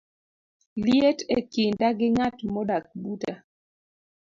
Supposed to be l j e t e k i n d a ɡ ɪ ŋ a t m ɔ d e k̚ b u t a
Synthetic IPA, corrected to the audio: l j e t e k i n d a ɡ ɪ ŋ a t m ɔ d a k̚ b u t a